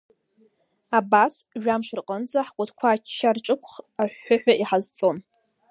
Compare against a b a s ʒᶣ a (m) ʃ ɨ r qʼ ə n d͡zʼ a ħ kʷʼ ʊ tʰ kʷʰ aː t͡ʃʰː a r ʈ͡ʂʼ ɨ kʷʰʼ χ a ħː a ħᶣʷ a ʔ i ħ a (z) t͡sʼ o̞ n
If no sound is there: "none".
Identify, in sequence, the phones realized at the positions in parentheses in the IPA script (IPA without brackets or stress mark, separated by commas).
m, z